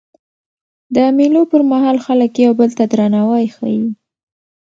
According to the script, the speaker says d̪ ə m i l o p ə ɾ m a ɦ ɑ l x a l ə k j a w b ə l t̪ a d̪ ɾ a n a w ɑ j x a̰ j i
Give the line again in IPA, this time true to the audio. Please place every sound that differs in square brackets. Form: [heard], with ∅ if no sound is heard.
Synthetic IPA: d̪ ə m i l o p ə ɾ m a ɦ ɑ l x a l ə k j a w b ə l t̪ a d̪ ɾ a n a w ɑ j x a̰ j i